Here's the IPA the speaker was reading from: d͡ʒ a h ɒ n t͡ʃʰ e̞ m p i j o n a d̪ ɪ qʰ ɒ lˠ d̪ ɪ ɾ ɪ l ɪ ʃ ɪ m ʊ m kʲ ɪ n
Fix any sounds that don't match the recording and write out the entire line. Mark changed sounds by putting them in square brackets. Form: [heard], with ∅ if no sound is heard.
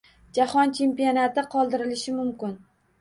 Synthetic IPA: d͡ʒ a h ɒ n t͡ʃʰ e̞ m p i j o n a [t̪] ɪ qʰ ɒ lˠ d̪ ɪ ɾ ɪ l ɪ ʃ ɪ m ʊ m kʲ ɪ n